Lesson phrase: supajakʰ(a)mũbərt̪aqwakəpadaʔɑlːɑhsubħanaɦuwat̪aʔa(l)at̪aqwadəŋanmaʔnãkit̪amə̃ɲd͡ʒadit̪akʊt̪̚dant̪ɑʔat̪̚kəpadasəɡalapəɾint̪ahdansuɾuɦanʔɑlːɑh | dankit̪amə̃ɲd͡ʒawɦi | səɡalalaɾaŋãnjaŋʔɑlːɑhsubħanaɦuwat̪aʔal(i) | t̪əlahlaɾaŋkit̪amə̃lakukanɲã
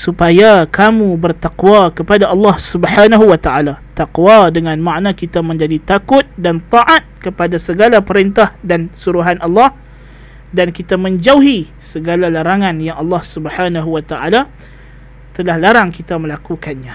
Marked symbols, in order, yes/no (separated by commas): yes, yes, no